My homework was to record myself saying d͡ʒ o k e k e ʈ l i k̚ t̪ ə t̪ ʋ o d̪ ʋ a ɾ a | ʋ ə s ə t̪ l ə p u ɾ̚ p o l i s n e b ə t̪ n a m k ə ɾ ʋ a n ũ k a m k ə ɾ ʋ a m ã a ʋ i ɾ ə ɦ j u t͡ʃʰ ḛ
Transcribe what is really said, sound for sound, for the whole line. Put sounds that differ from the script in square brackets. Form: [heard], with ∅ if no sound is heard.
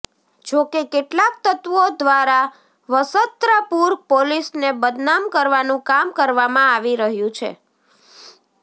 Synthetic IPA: d͡ʒ o k e k e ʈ l [a] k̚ t̪ ə t̪ ʋ o d̪ ʋ a ɾ a | ʋ ə s ə t̪ [ɾ] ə p u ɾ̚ p o l i s n e b ə [d̪] n a m k ə ɾ ʋ a n ũ k a m k ə ɾ ʋ a m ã a ʋ i ɾ ə ɦ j [ũ] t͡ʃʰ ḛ